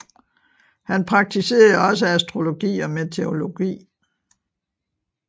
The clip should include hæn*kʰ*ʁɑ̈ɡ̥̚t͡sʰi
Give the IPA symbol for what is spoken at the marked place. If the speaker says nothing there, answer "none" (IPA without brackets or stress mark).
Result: pʰ